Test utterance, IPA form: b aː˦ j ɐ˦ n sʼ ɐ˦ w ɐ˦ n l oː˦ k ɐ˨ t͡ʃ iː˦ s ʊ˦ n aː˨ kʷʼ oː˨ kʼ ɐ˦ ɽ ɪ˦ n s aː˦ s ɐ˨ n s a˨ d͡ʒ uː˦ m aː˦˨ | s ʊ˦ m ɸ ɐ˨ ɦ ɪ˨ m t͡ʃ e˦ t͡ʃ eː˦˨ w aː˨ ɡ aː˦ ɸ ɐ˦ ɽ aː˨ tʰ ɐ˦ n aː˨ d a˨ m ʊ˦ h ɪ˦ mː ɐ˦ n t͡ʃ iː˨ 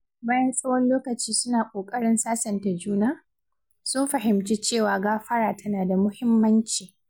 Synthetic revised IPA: b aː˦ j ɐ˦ n sʼ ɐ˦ w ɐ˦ n l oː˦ k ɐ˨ t͡ʃ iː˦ s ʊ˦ n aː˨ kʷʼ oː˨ kʼ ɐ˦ ɽ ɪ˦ n s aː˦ s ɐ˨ n t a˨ d͡ʒ uː˦ n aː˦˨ | s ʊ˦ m ɸ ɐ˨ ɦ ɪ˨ m t͡ʃ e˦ t͡ʃ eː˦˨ w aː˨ ɡ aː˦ ɸ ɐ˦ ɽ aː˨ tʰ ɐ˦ n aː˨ d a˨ m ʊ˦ h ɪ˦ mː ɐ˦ n t͡ʃ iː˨